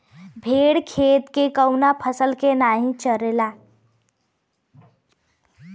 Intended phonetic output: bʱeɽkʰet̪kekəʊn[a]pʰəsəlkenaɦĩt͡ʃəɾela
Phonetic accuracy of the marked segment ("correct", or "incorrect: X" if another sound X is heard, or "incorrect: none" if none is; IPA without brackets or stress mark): correct